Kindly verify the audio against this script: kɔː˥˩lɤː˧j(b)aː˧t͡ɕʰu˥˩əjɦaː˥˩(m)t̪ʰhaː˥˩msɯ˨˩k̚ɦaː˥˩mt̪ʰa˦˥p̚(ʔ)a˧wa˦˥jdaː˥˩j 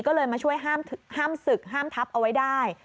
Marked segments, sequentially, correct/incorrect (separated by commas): incorrect, correct, correct